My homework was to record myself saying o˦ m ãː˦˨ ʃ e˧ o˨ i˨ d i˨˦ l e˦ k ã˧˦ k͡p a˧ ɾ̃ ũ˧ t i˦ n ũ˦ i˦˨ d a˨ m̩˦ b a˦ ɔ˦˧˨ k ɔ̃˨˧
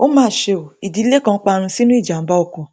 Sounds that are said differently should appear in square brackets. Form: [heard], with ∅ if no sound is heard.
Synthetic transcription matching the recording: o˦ m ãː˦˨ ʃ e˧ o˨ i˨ d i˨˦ l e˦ k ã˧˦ k͡p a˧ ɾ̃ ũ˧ [s] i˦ n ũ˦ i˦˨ [d͡ʒ] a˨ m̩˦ b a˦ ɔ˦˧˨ k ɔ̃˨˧